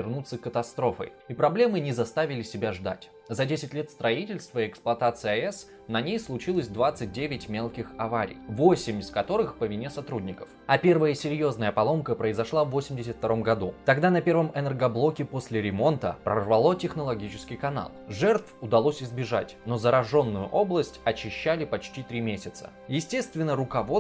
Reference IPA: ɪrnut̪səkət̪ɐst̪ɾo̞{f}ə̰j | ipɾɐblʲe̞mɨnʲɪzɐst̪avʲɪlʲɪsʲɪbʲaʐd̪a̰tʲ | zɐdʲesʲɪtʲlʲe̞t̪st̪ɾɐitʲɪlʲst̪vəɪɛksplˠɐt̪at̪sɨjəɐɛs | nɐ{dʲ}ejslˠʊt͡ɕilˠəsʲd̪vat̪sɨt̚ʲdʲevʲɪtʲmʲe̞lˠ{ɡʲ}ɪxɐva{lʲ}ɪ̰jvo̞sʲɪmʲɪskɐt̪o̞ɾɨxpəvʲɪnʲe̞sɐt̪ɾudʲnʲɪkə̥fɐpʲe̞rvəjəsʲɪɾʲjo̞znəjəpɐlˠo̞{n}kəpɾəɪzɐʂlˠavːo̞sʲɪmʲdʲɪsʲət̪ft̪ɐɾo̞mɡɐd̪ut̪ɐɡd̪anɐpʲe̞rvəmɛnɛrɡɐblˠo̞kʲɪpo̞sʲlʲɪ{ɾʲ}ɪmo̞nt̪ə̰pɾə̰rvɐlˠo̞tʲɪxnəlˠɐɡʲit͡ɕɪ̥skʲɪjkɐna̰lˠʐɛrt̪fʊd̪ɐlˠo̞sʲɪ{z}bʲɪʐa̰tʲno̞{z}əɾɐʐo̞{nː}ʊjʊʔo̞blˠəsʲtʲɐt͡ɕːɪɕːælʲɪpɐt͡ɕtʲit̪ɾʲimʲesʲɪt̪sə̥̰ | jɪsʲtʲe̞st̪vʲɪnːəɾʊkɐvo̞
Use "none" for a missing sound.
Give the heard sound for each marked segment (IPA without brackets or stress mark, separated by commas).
f, nʲ, kʲ, ɾʲ, m, ɾʲ, z, z, nː